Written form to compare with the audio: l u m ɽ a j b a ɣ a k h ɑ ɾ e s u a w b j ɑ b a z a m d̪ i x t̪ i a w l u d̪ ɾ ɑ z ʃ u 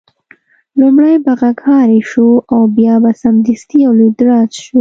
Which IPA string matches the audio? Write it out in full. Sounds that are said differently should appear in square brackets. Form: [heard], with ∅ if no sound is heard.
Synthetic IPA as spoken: l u m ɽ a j b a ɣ a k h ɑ ɾ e [ʃ] u a w b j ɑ b a [s] a m d̪ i [s] t̪ i a w l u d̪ ɾ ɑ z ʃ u